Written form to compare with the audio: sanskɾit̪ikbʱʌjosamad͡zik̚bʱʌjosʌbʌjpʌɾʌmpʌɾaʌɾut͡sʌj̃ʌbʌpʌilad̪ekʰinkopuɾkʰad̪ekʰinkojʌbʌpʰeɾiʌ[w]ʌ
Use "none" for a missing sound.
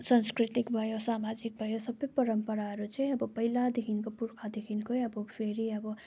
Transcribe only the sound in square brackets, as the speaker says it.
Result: b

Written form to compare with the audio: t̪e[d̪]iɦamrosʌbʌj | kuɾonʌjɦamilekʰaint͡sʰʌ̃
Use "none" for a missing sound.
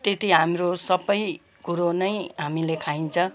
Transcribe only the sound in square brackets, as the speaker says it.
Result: t̪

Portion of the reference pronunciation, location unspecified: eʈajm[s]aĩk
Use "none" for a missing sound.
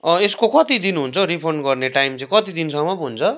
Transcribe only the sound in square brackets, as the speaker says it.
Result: t͡s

